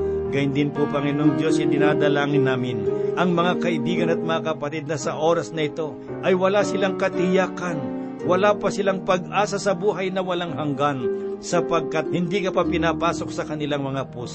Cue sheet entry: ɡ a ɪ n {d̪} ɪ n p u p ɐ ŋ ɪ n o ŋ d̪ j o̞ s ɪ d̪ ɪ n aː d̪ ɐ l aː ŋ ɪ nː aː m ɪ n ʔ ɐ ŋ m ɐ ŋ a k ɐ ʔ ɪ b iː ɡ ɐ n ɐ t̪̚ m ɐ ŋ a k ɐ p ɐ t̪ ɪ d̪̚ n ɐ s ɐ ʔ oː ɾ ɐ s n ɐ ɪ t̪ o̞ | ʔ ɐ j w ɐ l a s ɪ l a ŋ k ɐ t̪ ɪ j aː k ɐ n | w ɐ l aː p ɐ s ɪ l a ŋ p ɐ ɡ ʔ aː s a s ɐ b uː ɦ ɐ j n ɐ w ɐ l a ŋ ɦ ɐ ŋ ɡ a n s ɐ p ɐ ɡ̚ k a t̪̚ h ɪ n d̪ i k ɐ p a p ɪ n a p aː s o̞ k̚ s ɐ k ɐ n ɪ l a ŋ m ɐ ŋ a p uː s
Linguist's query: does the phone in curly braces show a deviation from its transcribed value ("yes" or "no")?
no